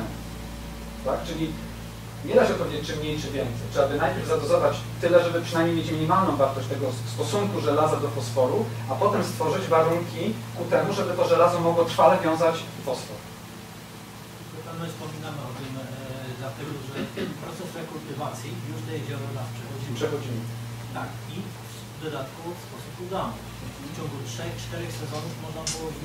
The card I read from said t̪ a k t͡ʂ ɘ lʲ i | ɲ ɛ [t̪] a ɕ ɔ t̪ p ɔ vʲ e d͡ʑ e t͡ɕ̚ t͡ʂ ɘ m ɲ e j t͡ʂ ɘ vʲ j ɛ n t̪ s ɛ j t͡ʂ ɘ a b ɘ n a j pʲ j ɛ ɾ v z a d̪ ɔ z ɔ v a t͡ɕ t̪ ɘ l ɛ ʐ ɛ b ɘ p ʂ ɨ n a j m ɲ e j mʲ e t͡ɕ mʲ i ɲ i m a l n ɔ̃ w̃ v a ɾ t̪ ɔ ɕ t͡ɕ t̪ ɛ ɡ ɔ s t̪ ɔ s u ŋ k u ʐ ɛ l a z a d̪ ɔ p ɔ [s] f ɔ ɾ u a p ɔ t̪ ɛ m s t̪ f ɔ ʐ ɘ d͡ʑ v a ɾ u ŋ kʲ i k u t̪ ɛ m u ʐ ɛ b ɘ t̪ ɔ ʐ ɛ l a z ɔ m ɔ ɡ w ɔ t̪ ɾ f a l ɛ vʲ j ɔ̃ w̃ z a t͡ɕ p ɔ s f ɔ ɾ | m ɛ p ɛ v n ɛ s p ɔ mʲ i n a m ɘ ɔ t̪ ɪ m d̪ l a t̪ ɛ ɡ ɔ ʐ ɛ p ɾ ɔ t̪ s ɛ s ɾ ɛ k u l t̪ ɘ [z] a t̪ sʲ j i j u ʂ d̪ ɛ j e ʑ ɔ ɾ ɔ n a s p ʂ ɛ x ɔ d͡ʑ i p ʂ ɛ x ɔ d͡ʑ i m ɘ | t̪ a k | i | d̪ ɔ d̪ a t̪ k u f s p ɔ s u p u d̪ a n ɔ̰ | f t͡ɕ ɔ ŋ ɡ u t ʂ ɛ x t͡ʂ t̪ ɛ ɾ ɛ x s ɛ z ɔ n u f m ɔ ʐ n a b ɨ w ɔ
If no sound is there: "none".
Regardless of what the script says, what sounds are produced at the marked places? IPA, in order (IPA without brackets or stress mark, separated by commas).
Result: d̪, s, v